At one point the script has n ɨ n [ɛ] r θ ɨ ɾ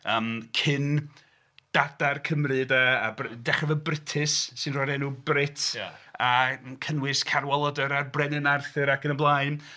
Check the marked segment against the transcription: incorrect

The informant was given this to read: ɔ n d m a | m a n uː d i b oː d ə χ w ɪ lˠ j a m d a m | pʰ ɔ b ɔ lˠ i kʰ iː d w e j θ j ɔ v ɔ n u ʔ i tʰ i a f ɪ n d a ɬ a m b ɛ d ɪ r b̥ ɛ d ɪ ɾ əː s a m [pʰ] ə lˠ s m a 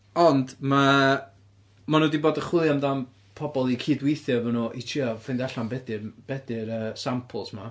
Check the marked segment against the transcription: correct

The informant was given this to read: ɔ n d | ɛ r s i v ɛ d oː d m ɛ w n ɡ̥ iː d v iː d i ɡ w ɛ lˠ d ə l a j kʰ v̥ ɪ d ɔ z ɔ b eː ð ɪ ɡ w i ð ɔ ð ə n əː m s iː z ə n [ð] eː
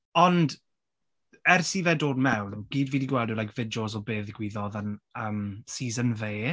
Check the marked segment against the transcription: incorrect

